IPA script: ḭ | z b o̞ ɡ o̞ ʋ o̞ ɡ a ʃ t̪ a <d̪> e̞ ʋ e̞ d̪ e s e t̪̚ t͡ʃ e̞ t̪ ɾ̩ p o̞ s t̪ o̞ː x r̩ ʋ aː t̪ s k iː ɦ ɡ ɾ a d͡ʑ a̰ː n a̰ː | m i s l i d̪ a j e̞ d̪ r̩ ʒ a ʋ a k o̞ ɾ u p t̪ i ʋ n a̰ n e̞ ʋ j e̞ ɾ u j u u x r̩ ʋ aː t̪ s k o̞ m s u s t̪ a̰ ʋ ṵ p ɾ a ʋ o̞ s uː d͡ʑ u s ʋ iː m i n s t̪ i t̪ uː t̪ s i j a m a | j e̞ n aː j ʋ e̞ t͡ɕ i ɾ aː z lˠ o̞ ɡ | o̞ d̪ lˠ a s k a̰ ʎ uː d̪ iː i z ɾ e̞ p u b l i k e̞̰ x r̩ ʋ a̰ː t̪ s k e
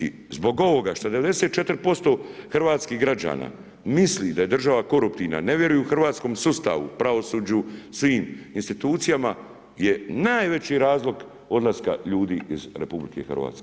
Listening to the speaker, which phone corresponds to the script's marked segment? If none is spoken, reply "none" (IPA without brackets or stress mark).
d̪